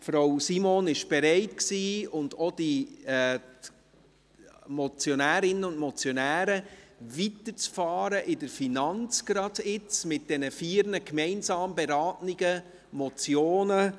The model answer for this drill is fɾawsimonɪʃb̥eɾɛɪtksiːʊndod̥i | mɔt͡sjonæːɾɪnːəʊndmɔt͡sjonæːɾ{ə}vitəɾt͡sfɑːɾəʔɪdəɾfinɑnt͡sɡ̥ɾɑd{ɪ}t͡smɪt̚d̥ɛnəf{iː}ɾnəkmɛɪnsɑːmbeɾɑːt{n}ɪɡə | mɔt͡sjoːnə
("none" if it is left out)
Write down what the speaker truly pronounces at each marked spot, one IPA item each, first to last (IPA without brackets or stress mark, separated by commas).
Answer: ə, ɪ, iː, n